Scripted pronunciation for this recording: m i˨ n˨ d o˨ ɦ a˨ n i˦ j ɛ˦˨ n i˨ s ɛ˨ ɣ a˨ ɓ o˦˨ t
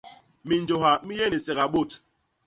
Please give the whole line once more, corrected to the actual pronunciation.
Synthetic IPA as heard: m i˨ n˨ d͡ʒ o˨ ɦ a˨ m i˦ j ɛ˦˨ n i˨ s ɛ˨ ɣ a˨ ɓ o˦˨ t